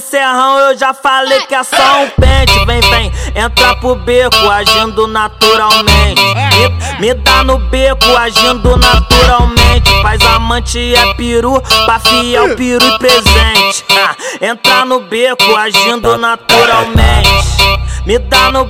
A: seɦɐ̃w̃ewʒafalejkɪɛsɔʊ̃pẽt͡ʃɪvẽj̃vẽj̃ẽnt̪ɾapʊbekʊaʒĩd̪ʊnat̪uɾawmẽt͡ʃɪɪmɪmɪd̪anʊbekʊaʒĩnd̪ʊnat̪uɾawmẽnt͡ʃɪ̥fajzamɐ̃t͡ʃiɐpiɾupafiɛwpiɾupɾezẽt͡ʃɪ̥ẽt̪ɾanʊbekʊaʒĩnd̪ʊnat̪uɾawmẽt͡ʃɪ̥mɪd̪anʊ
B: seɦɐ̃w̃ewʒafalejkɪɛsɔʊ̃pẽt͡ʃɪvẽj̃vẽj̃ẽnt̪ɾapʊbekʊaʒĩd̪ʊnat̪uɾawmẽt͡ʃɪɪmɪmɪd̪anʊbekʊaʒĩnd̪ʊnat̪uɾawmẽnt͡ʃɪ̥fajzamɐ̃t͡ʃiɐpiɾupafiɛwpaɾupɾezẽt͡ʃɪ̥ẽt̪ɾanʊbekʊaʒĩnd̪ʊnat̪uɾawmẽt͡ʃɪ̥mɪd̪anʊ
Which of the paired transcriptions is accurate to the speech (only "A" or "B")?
A